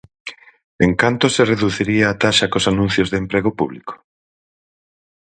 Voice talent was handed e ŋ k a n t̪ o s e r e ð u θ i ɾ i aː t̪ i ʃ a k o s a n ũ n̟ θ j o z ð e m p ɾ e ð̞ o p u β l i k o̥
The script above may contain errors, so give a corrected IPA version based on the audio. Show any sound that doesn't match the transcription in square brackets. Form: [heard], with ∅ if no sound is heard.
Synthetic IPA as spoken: e ŋ k a n t̪ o s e r e ð u θ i ɾ i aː t̪ [a] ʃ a k o s a n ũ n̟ θ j o z ð e m p ɾ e [ɣ̞] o p u β l i k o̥